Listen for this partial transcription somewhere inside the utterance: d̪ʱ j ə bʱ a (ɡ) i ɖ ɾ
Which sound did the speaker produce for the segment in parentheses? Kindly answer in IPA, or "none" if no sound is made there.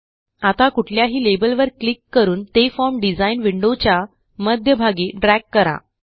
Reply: ɡ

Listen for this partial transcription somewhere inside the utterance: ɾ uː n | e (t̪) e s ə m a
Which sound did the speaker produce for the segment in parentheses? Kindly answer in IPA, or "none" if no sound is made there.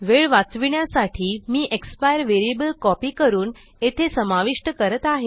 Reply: t̪ʰ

